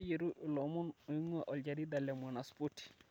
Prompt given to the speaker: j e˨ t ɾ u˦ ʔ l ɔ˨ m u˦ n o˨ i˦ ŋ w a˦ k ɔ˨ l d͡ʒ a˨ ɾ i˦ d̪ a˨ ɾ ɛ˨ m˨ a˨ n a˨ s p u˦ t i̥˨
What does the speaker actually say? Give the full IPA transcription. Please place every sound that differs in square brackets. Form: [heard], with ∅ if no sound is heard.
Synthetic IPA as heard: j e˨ [∅] ɾ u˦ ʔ l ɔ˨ m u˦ n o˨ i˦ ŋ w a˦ [ʔ] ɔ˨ l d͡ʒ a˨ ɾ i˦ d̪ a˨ [l] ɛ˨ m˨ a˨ n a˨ s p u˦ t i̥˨

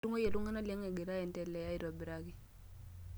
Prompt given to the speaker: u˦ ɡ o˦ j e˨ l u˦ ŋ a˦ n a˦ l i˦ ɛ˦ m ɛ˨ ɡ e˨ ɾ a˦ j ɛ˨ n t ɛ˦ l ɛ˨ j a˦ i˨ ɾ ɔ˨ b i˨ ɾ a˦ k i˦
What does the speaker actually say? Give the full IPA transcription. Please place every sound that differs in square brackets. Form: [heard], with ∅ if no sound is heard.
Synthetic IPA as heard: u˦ [ŋ] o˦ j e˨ l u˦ ŋ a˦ n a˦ l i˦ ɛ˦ [ŋ] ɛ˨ ɡ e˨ ɾ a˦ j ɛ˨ n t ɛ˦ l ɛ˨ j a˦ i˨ ɾ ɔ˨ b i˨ ɾ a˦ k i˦

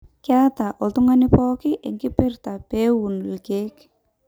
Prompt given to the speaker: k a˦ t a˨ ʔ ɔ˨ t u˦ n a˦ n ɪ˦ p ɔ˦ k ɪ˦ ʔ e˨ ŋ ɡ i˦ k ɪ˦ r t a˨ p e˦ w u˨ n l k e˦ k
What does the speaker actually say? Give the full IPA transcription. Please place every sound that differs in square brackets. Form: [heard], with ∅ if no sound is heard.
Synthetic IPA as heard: k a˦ t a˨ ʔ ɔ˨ t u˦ [ŋ] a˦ n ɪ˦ p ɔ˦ k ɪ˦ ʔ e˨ ŋ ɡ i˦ [p] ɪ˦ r t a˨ p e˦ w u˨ n l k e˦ k

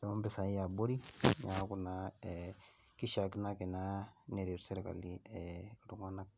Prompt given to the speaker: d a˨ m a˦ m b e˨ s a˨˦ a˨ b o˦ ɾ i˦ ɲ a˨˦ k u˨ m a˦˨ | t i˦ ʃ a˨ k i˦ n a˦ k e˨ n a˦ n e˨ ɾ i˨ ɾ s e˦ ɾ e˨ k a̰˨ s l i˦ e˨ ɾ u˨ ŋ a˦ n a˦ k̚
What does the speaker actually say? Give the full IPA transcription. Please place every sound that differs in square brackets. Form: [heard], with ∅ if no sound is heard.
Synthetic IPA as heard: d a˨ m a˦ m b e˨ s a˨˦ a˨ b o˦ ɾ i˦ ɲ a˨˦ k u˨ [n] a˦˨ | [k] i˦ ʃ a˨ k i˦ n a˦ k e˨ n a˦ n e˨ ɾ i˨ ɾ s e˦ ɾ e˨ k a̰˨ [∅] l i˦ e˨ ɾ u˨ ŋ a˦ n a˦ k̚

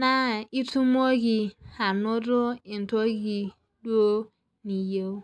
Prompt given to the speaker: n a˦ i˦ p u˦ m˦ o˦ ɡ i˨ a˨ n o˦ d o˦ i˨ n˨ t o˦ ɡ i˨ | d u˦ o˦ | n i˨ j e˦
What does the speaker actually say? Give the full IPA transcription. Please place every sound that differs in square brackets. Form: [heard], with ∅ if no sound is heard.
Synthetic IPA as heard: n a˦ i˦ [t] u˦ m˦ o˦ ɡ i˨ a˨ n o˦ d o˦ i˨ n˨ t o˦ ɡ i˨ | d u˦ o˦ | n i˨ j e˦

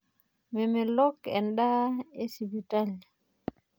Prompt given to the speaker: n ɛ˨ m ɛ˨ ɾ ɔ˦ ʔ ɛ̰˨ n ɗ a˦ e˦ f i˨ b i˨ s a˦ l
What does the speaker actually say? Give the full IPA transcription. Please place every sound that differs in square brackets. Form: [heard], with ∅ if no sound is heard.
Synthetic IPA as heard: [m] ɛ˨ m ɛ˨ [l] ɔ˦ [k] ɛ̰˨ n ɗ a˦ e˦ [s] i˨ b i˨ [t] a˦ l

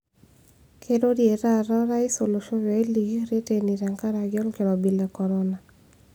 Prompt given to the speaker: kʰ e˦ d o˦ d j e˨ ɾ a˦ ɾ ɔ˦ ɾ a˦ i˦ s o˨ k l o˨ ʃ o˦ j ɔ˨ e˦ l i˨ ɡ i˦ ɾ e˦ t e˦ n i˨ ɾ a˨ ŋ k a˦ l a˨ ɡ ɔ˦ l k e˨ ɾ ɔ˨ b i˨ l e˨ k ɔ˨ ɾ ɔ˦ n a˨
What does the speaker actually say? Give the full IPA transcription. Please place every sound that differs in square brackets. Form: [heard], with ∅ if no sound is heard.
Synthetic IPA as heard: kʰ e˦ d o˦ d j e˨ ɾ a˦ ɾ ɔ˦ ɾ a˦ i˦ s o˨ [∅] l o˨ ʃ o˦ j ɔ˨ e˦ l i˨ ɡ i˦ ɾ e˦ t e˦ n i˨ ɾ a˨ ŋ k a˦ [ɾ] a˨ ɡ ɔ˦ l k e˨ ɾ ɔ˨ b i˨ l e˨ k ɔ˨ ɾ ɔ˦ n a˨

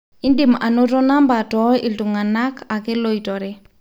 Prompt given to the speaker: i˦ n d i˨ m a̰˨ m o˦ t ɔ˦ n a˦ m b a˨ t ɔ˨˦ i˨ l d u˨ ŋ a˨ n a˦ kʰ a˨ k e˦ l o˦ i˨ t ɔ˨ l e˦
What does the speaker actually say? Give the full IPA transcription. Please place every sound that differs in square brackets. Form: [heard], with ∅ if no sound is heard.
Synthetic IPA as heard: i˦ n d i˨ m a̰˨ [n] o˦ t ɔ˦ n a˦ m b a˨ t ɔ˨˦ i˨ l [t] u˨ ŋ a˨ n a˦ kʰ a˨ k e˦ l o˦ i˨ t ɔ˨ [ɾ] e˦

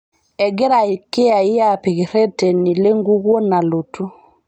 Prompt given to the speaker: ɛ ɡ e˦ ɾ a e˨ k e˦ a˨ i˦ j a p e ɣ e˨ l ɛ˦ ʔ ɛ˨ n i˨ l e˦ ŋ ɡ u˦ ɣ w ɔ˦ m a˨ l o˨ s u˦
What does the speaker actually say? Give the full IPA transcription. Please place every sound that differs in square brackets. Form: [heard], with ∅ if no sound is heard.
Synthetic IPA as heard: ɛ ɡ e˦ ɾ a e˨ k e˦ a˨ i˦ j a p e ɣ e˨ [ɾ] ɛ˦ [t] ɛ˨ n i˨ l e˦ ŋ ɡ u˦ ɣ w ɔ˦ [n] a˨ l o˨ [t] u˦

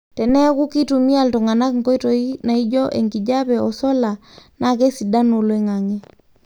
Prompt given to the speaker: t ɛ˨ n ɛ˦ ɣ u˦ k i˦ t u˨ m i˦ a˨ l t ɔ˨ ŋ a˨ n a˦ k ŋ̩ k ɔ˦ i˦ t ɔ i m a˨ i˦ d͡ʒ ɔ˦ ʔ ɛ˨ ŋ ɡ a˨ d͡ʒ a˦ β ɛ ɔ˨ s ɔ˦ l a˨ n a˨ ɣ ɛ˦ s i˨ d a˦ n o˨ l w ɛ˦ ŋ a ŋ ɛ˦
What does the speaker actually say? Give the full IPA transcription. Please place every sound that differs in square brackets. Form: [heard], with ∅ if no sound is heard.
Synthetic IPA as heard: t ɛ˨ n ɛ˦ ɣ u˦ k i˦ t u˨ m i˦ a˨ l t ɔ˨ ŋ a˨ n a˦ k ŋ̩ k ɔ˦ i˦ t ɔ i [n] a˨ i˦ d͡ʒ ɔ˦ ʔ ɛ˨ ŋ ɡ [i˨] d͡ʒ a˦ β ɛ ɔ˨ s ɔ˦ l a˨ n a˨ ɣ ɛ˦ s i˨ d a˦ n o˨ l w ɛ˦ ŋ a ŋ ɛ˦

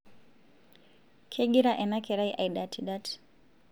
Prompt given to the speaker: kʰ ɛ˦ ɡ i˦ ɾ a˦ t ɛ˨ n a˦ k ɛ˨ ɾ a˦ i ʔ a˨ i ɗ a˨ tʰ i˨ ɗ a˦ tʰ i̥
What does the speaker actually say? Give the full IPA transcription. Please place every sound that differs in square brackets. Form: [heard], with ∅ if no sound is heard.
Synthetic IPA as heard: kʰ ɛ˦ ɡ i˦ ɾ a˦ [ʔ] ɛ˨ n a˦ k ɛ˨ ɾ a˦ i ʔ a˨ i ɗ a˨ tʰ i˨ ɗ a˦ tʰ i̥

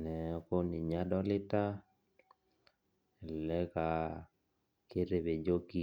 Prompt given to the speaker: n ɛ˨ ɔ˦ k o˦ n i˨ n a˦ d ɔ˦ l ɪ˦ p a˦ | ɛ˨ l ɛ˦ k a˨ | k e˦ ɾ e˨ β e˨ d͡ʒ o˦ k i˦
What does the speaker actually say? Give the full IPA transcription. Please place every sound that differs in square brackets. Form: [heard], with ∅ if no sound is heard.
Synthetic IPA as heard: n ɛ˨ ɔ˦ k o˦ n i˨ [ɲ] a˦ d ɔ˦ l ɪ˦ [t] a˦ | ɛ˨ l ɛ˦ k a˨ | k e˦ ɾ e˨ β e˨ d͡ʒ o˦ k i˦

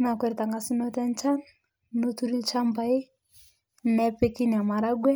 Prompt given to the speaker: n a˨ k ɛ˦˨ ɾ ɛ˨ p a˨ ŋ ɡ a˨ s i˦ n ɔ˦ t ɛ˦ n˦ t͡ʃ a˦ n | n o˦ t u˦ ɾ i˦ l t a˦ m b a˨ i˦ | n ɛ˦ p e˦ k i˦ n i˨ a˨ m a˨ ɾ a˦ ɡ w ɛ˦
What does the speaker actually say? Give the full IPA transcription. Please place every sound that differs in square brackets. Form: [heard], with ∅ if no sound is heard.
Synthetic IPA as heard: n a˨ k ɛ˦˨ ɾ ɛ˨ [t] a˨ ŋ ɡ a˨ s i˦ n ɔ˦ t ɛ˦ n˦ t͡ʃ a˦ n | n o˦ t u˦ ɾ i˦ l [t͡ʃ] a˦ m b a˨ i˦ | n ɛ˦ p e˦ k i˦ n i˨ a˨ m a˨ ɾ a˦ ɡ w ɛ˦

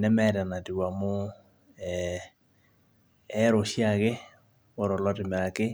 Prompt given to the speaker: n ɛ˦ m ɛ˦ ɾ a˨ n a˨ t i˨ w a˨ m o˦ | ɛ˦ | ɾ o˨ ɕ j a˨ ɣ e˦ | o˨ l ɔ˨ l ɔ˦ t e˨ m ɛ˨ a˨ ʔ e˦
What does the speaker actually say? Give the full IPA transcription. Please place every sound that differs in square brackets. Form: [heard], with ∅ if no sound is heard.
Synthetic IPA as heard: n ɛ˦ m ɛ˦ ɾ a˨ n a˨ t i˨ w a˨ m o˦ | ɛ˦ | ɾ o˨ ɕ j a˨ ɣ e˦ | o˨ [ɾ] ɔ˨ l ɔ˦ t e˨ m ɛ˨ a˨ [k] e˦

